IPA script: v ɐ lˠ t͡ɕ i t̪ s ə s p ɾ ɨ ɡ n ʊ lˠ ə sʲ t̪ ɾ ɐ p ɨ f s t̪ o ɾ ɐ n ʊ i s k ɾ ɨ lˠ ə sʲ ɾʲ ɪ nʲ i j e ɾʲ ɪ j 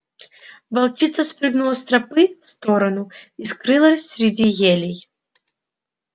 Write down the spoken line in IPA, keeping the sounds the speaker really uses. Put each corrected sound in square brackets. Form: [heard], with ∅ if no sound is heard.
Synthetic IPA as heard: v ɐ lˠ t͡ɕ i t̪ s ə s p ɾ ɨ ɡ n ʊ lˠ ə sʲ t̪ ɾ ɐ p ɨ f s t̪ o ɾ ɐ n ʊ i s k ɾ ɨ lˠ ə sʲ ɾʲ ɪ [dʲ] i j e [lʲ] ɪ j